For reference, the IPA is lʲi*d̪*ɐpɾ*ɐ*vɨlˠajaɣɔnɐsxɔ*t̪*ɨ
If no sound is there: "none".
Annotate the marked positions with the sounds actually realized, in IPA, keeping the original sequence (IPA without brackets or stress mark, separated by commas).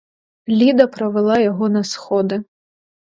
d̪, ɐ, d̪